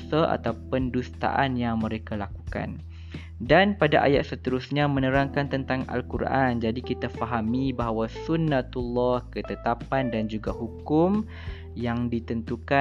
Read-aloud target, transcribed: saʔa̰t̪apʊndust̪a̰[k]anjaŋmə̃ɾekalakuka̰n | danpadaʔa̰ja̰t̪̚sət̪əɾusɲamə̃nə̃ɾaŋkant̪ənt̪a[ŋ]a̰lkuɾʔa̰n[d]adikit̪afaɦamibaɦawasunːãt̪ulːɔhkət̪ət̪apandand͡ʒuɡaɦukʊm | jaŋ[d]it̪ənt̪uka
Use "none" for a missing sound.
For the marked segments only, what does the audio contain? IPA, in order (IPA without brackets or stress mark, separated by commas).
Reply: ʔ, ŋ, d͡ʒ, d